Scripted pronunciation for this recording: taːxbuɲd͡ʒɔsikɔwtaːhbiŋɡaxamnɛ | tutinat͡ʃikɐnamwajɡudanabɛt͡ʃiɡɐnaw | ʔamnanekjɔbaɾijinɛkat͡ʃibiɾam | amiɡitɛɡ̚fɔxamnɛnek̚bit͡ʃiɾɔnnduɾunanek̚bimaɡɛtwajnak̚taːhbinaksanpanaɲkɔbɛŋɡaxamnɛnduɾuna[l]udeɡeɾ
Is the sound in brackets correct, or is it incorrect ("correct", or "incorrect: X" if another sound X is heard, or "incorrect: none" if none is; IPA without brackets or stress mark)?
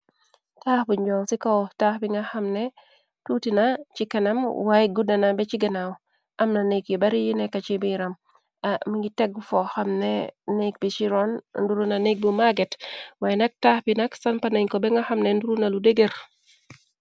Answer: correct